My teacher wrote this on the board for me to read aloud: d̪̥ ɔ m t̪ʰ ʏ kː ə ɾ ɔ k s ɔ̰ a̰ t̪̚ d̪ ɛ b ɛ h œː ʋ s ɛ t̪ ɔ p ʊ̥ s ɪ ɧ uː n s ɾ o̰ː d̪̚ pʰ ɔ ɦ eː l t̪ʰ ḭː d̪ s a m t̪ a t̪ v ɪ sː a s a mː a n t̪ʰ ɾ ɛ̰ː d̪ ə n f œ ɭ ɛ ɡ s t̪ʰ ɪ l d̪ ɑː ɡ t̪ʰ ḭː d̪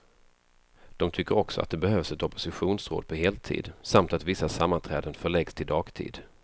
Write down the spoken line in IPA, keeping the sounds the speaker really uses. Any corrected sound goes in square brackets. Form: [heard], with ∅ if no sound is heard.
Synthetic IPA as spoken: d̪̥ ɔ m t̪ʰ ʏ kː ə ɾ ɔ k s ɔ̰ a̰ t̪̚ d̪ ɛ b ɛ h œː [v] s ɛ t̪ ɔ p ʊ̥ s ɪ ɧ uː n s ɾ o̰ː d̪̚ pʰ ɔ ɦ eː l t̪ʰ ḭː d̪ s a m t̪ a t̪ v ɪ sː a s a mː a n t̪ʰ ɾ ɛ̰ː d̪ ə n f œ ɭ ɛ ɡ s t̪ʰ ɪ l d̪ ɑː ɡ t̪ʰ ḭː d̪